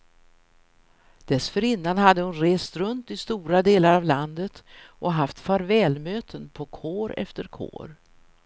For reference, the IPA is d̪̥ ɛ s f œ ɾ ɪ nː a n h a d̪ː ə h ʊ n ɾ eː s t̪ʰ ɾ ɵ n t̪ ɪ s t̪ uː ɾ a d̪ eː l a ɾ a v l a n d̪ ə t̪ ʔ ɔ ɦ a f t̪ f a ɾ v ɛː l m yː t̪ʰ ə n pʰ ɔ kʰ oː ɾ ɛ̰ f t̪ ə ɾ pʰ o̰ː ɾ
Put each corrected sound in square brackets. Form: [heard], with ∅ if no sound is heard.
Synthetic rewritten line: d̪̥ ɛ s f œ ɾ ɪ nː a n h a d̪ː ə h ʊ n ɾ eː s [t̪] ɾ ɵ n t̪ ɪ s t̪ uː ɾ a d̪ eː l a ɾ a v l a n d̪ ə t̪ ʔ ɔ ɦ a f t̪ f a ɾ v ɛː l m [øː] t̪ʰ ə n pʰ ɔ kʰ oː ɾ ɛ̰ f t̪ ə ɾ [kʰ] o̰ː ɾ